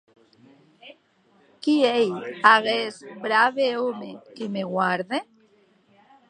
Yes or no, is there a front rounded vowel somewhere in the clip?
no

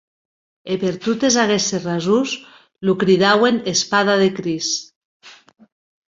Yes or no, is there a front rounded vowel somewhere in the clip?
no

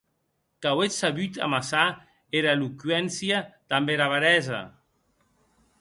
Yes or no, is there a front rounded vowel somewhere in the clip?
yes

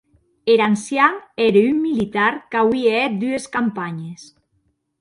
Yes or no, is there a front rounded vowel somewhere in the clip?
yes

